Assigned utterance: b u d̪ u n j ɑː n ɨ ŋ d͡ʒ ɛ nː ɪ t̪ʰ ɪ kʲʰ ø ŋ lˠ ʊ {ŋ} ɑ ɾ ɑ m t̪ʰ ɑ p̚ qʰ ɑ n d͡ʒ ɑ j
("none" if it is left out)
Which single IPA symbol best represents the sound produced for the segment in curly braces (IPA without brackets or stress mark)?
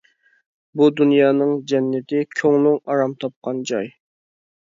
ŋ